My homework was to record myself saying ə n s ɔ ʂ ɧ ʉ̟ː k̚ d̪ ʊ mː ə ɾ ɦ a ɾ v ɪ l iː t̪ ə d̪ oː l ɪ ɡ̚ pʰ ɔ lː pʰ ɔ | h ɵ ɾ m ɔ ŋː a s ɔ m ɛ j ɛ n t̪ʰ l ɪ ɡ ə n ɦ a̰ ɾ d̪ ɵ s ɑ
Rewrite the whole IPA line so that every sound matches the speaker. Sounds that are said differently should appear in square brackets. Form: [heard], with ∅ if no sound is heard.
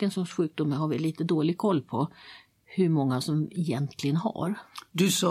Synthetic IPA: ə n s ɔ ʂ ɧ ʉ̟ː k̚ d̪ ʊ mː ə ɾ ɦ a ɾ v ɪ l iː t̪ ə d̪ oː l ɪ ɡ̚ [kʰ] ɔ lː pʰ ɔ | h ɵ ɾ m ɔ ŋː a s ɔ m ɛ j ɛ n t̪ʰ l ɪ ɡ ə n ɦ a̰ ɾ d̪ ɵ s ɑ